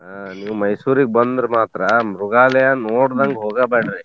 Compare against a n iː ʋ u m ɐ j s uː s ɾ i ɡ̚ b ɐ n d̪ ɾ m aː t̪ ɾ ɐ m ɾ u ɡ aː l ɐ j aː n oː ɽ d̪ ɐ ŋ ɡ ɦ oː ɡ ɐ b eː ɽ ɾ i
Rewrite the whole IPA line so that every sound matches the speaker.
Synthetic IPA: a n iː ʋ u m ɐ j s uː ɾ i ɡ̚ b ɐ n d̪ ɾ m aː t̪ ɾ ɐ m ɾ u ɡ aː l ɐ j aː n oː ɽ d̪ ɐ ŋ ɡ ɦ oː ɡ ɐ b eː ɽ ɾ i